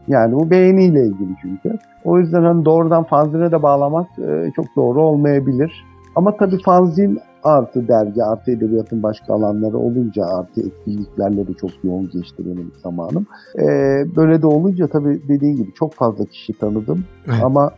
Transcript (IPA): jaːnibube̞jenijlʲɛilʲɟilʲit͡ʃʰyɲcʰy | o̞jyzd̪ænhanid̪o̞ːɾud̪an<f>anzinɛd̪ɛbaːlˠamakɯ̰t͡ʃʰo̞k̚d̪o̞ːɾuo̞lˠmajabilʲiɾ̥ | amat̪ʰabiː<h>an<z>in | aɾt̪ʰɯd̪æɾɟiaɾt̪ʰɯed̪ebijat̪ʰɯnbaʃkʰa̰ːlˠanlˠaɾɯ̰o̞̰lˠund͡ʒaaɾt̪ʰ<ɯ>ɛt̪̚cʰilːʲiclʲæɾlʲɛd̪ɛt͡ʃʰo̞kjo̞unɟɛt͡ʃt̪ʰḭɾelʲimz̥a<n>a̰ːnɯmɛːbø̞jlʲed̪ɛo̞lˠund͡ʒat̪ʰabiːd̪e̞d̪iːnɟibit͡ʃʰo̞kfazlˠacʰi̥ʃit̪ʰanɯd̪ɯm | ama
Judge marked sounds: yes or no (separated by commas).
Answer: yes, no, yes, yes, no